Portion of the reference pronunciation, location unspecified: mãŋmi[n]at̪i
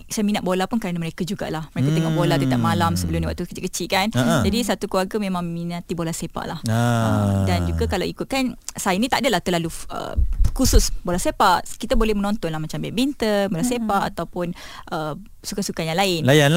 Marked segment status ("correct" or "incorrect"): correct